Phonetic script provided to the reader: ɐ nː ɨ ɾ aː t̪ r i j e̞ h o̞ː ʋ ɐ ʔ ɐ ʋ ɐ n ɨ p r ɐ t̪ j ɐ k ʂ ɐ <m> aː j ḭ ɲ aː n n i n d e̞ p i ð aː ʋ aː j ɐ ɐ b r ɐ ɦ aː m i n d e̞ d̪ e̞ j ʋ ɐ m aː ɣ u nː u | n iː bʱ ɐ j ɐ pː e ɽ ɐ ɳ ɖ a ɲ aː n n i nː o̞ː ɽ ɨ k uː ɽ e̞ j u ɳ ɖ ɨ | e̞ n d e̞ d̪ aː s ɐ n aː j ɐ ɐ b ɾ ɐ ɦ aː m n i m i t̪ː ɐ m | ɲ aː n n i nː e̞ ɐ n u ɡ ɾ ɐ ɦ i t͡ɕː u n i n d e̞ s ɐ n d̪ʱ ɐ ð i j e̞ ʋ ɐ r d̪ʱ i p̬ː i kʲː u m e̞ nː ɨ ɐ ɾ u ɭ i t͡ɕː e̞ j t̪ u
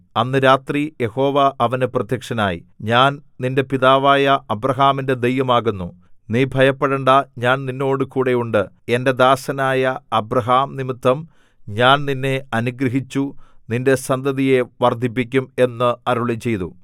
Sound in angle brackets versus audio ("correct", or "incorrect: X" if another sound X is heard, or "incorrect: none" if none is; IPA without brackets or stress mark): incorrect: n